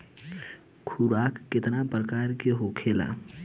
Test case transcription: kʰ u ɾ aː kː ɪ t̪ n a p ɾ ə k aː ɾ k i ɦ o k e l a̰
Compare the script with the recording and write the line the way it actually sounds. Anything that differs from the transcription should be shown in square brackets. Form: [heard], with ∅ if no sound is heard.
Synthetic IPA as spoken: kʰ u ɾ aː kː ɪ t̪ n a p ɾ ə k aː ɾ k [e] ɦ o [kʰ] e l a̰